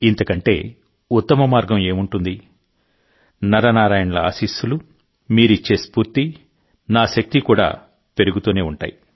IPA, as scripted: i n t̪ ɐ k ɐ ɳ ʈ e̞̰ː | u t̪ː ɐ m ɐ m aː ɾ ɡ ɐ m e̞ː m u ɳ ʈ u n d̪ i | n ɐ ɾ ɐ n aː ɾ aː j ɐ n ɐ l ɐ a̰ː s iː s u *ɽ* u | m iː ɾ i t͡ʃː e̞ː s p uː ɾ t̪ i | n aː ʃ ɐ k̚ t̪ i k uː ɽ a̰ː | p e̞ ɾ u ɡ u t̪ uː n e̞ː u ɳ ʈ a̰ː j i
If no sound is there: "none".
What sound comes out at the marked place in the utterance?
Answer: l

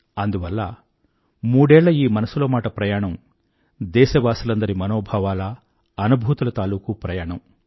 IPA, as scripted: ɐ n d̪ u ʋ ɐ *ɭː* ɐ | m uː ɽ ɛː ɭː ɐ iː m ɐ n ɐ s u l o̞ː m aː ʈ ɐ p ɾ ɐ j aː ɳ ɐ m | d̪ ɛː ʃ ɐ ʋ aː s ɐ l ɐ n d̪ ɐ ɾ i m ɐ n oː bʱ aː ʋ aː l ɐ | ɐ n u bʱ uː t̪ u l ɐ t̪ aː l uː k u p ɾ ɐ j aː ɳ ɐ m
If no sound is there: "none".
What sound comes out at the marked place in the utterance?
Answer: lː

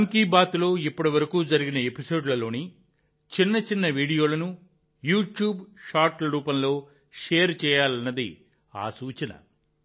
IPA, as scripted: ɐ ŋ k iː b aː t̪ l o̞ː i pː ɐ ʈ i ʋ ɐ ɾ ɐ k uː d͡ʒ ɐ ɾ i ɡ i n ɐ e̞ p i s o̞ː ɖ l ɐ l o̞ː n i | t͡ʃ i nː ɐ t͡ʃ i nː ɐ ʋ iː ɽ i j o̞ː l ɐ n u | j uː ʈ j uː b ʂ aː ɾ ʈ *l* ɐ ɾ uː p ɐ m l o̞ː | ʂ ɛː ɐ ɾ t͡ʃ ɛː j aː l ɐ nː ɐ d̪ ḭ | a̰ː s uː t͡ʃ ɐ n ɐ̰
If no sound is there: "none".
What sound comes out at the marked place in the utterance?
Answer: l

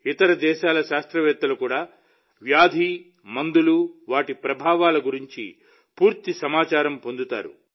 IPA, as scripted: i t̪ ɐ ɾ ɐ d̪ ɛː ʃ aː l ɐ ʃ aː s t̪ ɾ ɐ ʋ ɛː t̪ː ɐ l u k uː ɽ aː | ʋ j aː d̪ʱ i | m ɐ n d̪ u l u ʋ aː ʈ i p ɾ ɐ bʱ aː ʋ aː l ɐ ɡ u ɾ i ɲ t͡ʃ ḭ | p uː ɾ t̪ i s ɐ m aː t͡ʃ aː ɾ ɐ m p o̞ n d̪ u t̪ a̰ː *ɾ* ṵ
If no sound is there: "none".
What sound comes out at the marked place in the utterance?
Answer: ɾ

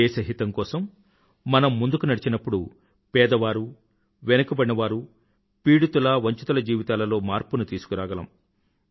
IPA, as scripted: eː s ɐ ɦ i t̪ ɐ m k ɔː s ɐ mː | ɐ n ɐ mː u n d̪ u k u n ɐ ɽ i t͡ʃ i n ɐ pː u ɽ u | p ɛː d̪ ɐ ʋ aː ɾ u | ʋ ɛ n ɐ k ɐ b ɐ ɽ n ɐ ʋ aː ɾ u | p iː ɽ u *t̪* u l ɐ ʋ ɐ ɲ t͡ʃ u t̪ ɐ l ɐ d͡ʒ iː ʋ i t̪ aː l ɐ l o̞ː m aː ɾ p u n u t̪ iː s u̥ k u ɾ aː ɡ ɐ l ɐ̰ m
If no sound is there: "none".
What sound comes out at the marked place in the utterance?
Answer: t̪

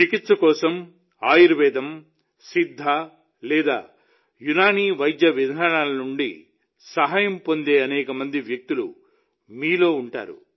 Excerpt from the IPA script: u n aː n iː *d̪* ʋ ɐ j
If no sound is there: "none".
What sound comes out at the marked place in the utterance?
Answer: none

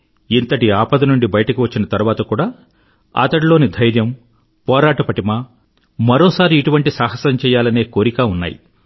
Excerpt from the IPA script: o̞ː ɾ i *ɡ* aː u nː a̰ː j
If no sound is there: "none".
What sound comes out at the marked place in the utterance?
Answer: k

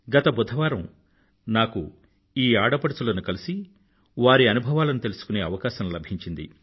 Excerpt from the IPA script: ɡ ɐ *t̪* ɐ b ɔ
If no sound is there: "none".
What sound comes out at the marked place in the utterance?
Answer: t̪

